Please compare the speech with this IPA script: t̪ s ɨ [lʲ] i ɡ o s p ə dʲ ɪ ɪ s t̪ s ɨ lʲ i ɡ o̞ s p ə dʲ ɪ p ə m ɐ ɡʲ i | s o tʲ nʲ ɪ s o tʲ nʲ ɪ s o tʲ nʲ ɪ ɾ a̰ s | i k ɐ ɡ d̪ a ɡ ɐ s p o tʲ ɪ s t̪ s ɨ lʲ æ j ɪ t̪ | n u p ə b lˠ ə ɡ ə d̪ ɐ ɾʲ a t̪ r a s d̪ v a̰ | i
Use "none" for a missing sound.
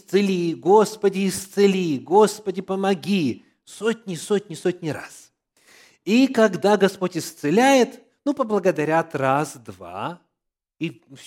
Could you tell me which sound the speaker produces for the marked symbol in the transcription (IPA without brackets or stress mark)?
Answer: lʲ